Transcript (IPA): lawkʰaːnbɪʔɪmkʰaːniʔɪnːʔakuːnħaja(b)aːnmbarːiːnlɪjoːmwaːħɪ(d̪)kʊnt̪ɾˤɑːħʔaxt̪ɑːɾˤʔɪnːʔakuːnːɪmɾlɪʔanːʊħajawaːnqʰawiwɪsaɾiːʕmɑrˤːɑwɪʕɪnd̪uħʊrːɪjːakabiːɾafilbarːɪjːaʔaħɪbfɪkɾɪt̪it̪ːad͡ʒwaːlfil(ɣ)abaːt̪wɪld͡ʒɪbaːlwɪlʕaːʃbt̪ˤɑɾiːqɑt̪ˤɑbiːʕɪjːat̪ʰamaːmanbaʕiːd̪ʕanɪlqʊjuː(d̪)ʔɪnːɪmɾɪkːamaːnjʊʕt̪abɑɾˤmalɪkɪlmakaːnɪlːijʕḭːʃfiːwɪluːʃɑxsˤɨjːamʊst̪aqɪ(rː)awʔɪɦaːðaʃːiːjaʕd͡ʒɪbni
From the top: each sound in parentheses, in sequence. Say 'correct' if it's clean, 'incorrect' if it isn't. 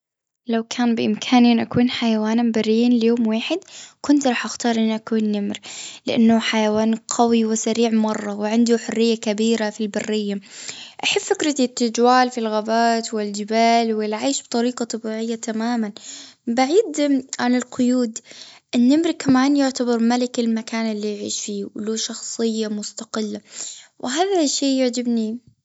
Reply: incorrect, correct, correct, correct, incorrect

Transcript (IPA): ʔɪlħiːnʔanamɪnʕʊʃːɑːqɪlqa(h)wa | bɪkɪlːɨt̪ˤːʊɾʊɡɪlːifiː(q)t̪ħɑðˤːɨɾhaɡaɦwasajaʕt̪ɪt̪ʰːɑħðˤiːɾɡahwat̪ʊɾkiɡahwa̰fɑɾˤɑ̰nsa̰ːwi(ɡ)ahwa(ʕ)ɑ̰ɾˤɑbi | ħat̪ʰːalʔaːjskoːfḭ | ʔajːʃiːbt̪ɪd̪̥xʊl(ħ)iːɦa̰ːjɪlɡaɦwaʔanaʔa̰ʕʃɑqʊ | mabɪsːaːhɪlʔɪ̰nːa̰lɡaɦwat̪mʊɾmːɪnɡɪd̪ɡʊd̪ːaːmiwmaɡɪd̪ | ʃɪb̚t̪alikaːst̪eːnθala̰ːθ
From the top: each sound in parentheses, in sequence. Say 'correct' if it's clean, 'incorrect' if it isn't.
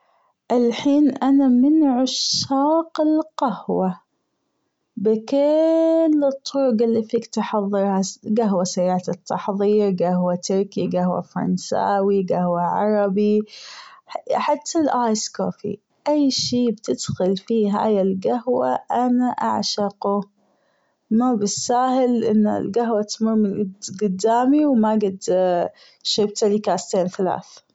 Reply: correct, incorrect, correct, correct, incorrect

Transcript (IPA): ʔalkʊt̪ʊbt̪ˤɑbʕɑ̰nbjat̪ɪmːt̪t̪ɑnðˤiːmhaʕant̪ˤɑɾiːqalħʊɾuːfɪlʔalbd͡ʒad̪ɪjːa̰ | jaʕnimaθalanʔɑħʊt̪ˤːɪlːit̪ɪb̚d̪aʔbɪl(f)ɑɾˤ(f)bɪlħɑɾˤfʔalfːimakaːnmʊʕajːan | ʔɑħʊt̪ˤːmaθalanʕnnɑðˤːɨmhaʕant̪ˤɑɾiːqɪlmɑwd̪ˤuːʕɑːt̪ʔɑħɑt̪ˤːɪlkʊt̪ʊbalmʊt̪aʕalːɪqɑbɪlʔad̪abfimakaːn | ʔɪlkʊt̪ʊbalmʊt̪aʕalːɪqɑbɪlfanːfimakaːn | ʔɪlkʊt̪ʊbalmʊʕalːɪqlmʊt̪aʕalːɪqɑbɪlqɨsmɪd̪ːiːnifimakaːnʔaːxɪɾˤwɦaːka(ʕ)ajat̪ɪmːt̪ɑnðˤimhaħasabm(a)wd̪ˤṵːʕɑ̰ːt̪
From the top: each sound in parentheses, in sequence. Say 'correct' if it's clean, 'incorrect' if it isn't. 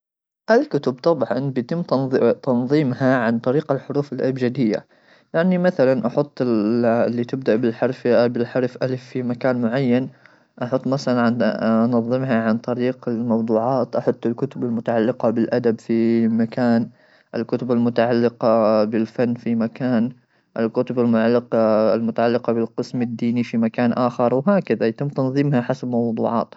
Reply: incorrect, correct, incorrect, incorrect

